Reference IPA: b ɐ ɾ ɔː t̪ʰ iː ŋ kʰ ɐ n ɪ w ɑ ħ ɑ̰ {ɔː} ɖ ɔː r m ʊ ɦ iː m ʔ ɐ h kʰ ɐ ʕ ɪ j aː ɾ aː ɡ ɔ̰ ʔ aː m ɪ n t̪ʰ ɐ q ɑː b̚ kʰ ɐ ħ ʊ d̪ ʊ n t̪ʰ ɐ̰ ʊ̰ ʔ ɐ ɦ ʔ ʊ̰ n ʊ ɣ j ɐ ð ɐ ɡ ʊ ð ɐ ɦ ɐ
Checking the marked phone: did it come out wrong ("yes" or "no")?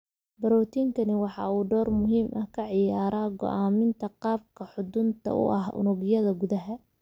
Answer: yes